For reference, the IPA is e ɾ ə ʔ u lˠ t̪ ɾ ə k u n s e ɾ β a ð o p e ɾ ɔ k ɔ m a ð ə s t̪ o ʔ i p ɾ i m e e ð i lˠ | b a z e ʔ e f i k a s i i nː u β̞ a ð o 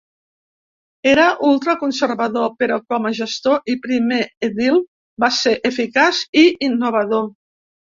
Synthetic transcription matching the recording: e ɾ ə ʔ u lˠ t̪ ɾ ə k u n s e ɾ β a ð o p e ɾ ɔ k ɔ m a ʒ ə s t̪ o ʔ i p ɾ i m e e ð i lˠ | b a s e ʔ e f i k a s i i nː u β̞ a ð o